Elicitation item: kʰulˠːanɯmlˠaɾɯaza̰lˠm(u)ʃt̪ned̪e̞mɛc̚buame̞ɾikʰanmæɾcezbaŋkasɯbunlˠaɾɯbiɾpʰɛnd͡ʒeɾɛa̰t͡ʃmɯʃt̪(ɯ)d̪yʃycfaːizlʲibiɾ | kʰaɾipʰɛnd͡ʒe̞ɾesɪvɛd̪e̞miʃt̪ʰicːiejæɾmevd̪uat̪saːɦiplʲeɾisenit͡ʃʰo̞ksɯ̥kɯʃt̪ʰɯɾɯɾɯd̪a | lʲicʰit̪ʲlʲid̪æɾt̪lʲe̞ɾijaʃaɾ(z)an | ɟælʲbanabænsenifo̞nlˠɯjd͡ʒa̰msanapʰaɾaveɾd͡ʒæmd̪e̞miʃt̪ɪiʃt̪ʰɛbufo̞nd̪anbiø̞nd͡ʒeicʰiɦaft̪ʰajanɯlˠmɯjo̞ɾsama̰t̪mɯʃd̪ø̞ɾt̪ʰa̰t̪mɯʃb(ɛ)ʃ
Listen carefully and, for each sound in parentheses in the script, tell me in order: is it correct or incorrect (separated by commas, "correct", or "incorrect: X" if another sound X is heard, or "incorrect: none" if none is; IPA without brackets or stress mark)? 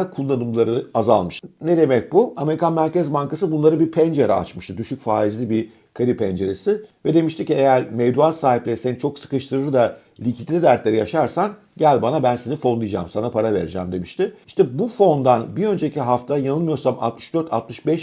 incorrect: ɯ, correct, incorrect: s, correct